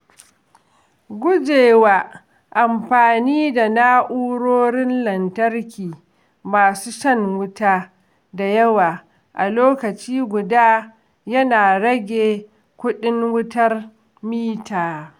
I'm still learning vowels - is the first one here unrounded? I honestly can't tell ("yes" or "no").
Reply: no